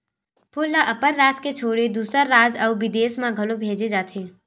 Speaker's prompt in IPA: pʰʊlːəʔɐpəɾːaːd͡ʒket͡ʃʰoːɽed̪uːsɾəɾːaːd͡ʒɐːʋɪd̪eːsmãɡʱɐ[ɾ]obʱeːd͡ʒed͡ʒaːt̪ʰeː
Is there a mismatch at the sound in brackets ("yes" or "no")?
yes